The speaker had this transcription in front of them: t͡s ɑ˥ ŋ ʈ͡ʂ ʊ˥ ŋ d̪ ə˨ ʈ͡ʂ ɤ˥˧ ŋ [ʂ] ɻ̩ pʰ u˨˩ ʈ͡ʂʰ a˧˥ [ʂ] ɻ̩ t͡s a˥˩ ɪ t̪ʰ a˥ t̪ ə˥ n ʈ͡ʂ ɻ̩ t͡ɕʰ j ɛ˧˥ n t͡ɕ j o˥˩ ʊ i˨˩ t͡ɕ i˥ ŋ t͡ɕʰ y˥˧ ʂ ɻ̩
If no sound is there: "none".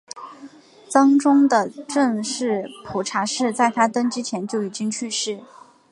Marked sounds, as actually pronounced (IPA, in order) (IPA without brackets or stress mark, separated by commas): ʂ, ʂ